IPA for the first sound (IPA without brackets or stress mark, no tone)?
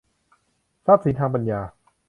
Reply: s